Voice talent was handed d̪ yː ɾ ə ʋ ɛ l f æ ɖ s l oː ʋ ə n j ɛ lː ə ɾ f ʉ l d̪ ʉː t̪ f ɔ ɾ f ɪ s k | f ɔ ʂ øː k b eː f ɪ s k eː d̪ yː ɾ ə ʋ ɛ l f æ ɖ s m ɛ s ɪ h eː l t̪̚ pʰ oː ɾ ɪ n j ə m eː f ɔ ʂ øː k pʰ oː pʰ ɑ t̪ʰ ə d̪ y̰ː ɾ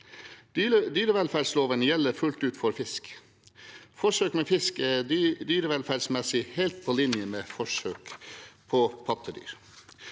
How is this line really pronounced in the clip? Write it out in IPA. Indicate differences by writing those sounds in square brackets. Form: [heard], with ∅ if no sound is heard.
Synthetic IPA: d̪ yː ɾ ə ʋ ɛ l f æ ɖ s l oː ʋ ə n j ɛ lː ə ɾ f ʉ l [t̪] ʉː t̪ f ɔ ɾ f ɪ s k | f ɔ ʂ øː k [m] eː f ɪ s k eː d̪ yː ɾ ə ʋ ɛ l f æ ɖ s m ɛ s ɪ h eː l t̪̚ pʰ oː [l] ɪ n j ə m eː f ɔ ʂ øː k pʰ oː pʰ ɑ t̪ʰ ə d̪ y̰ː ɾ